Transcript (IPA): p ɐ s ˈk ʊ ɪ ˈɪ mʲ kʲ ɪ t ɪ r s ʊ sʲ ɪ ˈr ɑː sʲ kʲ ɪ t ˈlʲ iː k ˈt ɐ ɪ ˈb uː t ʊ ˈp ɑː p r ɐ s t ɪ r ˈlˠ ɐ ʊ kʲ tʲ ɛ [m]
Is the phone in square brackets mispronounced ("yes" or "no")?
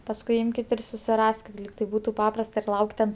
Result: yes